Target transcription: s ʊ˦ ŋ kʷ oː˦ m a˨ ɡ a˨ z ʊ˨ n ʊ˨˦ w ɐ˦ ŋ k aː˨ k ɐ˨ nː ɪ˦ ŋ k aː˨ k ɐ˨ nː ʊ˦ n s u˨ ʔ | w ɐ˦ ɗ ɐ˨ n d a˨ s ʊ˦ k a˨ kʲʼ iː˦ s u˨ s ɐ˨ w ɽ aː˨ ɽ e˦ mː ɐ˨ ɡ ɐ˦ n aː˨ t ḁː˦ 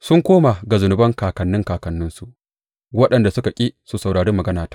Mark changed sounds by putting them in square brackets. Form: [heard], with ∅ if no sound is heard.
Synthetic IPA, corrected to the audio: s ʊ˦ ŋ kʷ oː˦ m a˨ ɡ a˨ z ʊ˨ n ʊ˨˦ [b] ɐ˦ ŋ k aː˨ k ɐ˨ nː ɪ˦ ŋ k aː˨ k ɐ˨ nː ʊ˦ n s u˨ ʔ | w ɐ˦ ɗ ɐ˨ n d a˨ s ʊ˦ k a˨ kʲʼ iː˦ s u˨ s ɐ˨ w ɽ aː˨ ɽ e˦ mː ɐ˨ ɡ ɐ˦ n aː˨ t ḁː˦